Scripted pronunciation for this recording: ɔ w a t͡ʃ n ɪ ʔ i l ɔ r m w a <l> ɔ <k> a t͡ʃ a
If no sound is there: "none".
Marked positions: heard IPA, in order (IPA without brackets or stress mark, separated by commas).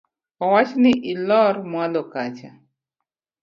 l, k